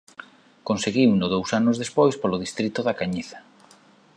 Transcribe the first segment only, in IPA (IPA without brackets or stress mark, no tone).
k